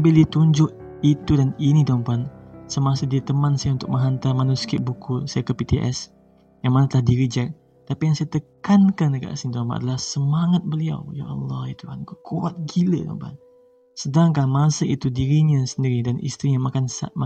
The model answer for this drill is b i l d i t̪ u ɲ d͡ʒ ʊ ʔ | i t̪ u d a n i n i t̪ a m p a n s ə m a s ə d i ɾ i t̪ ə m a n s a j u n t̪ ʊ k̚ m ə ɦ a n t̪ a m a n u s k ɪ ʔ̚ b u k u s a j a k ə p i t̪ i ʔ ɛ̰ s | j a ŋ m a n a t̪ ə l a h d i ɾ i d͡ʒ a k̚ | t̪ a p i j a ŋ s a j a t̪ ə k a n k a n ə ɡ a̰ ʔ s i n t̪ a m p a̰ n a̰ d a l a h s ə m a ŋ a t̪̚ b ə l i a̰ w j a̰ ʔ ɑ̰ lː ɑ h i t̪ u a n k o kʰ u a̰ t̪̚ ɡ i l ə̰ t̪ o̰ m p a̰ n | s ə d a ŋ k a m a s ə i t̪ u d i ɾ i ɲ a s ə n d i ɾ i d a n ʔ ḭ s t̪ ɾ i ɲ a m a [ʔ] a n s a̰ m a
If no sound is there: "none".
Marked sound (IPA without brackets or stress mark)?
k